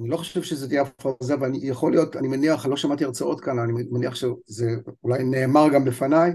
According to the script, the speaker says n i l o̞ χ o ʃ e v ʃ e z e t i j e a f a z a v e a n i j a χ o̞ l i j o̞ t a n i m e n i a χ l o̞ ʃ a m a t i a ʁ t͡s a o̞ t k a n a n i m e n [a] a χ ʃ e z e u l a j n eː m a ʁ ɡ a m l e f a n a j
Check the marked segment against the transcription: incorrect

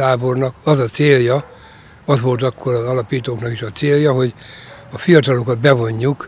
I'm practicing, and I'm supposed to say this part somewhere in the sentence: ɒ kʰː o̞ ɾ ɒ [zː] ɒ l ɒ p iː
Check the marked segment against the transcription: incorrect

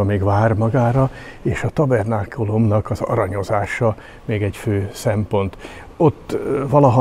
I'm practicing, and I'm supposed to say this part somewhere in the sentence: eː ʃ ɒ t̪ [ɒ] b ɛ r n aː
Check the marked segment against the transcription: correct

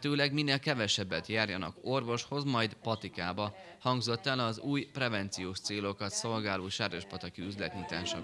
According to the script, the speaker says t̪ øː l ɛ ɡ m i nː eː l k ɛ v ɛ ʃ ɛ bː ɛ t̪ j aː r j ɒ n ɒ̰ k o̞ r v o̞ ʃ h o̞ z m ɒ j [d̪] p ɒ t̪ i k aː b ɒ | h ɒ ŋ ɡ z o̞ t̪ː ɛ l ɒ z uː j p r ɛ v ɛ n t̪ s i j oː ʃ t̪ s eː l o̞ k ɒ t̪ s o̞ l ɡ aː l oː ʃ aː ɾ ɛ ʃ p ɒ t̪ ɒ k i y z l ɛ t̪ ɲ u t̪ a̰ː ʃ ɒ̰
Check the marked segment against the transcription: correct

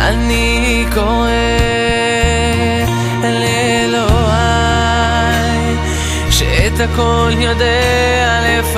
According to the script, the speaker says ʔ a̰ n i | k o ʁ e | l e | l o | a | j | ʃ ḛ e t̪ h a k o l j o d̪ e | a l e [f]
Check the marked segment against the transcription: correct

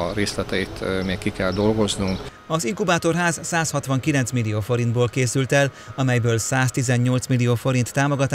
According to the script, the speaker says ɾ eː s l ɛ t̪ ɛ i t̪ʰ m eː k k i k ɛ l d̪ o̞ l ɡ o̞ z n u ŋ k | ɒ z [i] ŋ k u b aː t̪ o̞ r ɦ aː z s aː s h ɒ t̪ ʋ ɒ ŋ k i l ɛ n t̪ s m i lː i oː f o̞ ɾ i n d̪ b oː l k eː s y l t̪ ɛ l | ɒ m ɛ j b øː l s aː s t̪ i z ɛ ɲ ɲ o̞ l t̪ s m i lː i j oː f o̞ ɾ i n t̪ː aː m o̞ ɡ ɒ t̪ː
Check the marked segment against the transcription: correct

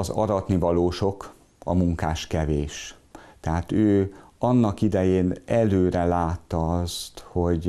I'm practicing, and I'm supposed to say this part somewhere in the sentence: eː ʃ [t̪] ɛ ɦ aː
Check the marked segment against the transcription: correct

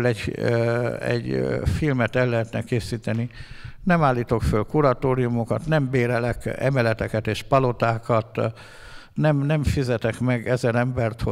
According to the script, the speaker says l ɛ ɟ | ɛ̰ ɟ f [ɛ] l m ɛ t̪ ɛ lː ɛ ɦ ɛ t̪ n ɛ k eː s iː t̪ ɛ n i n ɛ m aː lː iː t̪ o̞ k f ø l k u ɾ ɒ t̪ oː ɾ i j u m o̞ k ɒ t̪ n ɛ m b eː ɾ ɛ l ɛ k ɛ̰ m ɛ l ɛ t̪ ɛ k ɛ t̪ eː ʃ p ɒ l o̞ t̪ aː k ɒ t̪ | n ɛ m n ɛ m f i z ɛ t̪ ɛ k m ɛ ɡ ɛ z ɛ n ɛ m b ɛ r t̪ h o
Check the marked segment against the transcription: incorrect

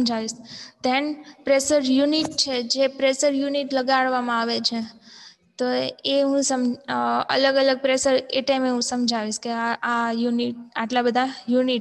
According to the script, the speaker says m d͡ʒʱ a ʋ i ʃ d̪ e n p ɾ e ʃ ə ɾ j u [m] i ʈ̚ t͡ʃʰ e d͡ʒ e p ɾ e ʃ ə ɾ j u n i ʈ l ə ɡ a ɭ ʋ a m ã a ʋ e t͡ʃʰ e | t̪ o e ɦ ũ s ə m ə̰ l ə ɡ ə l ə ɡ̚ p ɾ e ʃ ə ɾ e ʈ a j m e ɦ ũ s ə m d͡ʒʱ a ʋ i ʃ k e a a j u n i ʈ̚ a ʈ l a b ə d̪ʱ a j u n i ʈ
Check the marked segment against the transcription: incorrect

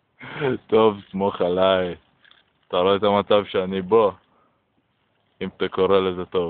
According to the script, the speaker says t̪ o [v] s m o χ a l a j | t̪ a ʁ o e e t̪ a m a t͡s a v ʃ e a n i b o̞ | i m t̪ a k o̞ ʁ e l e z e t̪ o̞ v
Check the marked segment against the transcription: correct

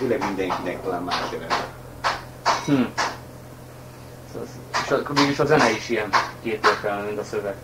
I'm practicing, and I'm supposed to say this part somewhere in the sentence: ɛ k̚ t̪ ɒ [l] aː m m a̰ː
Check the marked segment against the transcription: correct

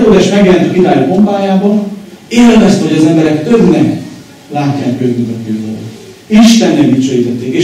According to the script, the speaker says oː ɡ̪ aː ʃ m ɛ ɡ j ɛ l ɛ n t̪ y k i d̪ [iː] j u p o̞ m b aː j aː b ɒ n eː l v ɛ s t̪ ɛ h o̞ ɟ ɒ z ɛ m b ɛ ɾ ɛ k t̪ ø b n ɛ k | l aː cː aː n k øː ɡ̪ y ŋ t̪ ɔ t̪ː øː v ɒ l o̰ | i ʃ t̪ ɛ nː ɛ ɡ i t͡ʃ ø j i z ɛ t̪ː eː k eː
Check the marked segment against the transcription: incorrect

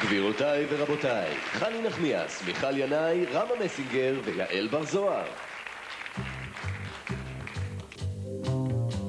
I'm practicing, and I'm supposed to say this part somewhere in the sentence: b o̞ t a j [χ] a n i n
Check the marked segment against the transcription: correct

